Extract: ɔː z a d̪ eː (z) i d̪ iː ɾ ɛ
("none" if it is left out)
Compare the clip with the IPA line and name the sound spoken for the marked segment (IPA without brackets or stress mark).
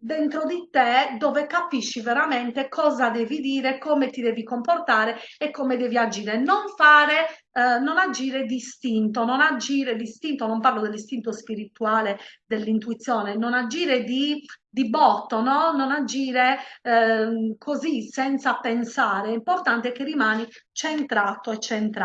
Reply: v